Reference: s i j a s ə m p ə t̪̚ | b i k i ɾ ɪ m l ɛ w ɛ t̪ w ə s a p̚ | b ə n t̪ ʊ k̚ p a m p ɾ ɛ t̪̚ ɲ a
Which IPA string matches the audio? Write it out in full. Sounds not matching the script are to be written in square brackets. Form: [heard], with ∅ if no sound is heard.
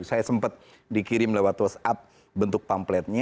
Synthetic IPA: s [a] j a s ə m p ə t̪̚ | [d] i k i ɾ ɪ m l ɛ w [a] t̪ w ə s a p̚ | b ə n t̪ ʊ k̚ p a m p [l] ɛ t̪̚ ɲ a